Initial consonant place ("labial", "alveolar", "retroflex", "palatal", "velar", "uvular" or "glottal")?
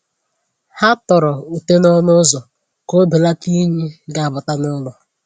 glottal